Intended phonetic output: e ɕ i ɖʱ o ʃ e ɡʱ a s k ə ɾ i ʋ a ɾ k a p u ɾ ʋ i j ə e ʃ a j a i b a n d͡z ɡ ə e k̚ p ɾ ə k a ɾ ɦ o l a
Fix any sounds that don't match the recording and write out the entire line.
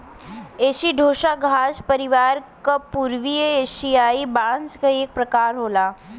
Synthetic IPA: e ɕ i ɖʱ o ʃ a ɡʱ a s p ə ɾ i ʋ a ɾ k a p u ɾ ʋ i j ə e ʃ i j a i b a n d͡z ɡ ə e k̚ p ɾ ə k a ɾ ɦ o l a